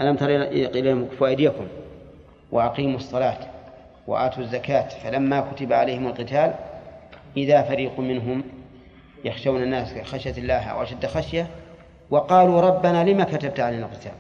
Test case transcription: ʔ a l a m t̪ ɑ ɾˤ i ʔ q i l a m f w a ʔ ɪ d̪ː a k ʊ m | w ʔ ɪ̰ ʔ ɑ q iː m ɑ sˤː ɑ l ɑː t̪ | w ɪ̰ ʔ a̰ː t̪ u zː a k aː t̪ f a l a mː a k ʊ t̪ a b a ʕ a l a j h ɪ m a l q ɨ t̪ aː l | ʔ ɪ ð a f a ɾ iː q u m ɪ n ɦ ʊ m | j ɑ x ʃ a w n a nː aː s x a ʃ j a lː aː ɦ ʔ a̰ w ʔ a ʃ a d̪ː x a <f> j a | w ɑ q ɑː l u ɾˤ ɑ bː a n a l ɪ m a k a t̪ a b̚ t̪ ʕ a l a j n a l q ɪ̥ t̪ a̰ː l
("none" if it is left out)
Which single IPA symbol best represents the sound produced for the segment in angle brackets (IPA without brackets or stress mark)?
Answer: ʃ